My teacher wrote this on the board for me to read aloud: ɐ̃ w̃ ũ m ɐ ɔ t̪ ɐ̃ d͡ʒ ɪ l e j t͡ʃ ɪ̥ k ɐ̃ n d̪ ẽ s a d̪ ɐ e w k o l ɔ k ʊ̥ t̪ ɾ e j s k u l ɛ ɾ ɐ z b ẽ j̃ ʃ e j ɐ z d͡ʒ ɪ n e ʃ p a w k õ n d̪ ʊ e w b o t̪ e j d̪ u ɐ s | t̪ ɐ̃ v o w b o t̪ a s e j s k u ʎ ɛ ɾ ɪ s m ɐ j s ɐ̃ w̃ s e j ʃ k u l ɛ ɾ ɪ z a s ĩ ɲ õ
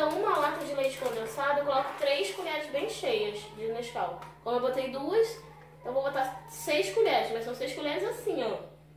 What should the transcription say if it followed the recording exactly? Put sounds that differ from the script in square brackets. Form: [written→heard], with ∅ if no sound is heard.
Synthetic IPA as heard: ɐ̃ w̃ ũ m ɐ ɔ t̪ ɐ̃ d͡ʒ ɪ l e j t͡ʃ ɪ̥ k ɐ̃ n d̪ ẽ s a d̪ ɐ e w k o l ɔ k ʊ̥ t̪ ɾ e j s k u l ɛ ɾ ɐ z b ẽ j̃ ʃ e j ɐ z d͡ʒ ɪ n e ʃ [p→k] a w k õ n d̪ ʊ e w b o t̪ e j d̪ u ɐ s | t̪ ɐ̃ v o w b o t̪ a s e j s k u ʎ ɛ ɾ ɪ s m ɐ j s ɐ̃ w̃ s e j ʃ k u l ɛ ɾ ɪ z a s ĩ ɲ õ